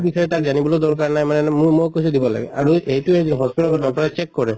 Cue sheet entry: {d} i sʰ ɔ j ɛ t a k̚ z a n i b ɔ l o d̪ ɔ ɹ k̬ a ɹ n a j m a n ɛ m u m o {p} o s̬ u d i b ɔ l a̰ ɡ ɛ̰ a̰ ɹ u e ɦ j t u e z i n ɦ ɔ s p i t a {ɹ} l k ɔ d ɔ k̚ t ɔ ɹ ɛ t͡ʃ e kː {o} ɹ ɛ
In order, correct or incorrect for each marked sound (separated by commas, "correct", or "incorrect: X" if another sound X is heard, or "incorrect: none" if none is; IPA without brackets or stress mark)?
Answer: incorrect: b, incorrect: k, incorrect: none, incorrect: ɔ